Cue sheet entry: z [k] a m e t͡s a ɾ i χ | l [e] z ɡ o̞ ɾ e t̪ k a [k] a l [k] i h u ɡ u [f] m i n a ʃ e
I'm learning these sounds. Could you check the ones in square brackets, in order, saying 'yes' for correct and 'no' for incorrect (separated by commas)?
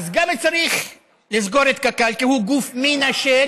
no, no, yes, yes, yes